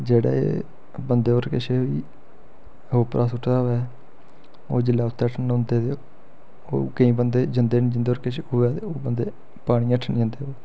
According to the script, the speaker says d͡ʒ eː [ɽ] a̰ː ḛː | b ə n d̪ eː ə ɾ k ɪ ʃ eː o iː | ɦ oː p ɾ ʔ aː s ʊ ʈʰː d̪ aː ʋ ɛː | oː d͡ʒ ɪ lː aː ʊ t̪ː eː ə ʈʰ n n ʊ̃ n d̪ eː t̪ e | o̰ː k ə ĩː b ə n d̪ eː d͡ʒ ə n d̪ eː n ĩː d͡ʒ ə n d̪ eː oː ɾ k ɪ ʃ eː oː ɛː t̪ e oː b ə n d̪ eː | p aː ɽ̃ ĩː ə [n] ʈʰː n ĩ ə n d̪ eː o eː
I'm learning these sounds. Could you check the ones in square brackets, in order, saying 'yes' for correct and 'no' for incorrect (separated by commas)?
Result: yes, no